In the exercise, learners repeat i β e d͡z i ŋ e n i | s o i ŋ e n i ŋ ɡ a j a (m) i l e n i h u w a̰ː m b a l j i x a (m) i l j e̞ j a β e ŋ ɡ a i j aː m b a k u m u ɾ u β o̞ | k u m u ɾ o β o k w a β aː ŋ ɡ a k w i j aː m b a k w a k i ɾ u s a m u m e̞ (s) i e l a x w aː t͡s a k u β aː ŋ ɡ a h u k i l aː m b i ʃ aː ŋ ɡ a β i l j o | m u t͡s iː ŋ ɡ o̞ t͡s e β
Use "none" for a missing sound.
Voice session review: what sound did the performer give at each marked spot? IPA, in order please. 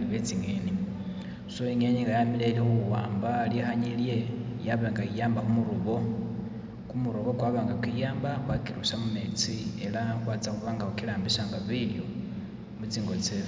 m, ɲ, t͡s

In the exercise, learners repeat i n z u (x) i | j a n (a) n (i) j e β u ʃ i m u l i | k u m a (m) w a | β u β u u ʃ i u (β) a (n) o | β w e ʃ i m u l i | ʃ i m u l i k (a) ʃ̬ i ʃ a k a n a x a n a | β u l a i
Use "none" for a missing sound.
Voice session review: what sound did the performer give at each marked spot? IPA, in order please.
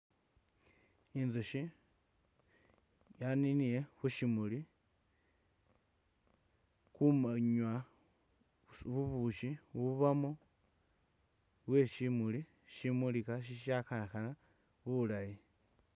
ʃ, i, i, ɲ, β, m, a

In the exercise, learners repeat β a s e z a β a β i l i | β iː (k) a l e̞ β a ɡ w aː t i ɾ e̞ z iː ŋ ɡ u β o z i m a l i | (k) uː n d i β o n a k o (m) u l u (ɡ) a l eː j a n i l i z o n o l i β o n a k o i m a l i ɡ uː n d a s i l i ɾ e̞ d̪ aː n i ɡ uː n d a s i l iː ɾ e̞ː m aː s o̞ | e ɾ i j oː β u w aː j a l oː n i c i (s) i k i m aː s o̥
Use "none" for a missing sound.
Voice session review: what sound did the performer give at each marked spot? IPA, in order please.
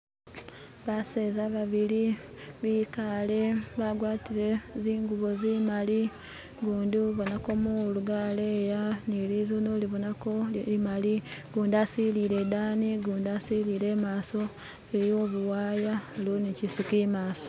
k, ɡ, m, ɡ, s

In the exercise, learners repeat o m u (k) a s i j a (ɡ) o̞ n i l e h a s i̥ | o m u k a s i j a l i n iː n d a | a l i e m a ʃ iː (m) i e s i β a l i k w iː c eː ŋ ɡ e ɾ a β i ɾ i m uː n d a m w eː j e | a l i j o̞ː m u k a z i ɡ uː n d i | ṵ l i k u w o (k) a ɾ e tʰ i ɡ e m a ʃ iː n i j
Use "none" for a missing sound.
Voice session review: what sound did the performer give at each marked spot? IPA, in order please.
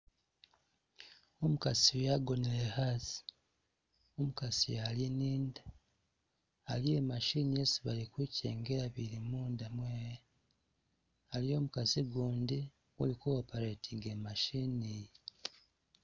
k, ɡ, n, p

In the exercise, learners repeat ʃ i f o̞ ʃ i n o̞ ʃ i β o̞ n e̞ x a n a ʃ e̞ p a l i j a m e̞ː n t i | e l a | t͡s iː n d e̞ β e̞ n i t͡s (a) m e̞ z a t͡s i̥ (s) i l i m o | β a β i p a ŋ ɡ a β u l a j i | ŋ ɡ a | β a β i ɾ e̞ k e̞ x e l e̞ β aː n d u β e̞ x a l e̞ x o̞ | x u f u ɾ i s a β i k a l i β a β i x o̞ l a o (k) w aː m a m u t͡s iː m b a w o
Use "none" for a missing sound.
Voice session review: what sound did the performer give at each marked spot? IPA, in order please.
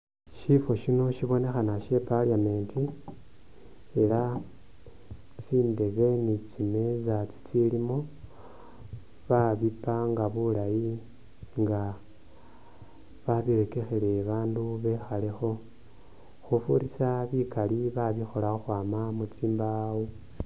i, t͡s, x

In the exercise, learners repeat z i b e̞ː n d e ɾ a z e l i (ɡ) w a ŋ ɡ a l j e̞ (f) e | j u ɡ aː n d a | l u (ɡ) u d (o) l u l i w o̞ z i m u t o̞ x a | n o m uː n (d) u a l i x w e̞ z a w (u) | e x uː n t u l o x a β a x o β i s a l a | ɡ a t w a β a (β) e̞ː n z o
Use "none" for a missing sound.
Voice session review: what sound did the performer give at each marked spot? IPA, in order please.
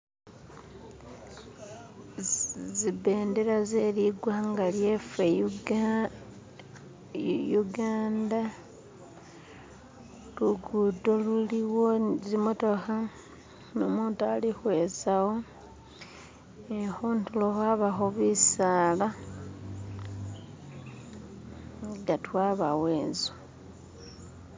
ɡ, f, ɡ, o, t, o, w

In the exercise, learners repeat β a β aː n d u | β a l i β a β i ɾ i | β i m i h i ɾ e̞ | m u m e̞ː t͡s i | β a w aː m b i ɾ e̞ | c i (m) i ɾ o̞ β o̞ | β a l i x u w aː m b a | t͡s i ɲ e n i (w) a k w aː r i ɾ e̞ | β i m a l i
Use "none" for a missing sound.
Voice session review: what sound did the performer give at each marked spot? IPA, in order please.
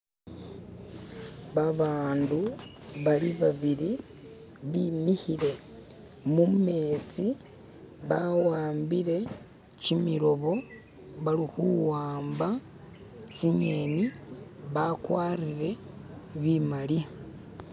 m, β

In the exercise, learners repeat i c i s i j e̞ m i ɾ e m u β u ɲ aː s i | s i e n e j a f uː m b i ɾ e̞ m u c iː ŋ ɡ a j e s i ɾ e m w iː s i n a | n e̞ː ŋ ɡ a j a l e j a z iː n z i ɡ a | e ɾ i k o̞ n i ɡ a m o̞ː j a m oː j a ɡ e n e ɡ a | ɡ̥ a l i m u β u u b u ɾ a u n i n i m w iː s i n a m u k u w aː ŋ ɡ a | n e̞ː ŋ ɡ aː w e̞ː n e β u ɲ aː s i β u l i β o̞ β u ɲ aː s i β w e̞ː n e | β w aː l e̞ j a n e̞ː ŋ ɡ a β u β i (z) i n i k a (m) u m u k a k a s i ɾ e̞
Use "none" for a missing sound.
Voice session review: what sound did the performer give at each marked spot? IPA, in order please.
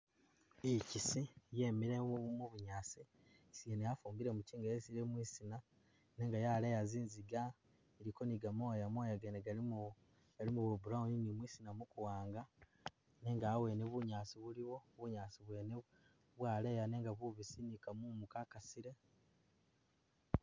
s, m

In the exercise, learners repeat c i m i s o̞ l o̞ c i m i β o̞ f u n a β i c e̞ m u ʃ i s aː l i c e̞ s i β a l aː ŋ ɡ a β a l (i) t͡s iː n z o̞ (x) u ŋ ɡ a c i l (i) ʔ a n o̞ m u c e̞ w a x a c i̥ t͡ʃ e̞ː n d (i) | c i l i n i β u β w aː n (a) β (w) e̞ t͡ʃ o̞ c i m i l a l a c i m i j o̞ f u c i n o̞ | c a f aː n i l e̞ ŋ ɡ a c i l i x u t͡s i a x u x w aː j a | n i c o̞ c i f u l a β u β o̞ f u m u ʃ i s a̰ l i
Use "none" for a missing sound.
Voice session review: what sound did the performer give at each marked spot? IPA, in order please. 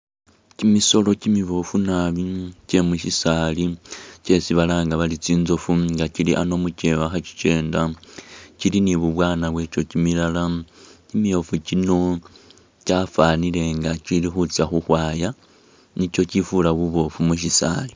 i, f, i, a, a, w

